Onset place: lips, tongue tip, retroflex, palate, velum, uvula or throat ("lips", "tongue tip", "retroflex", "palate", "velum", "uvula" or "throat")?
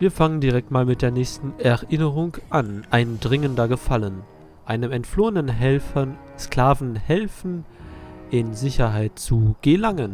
lips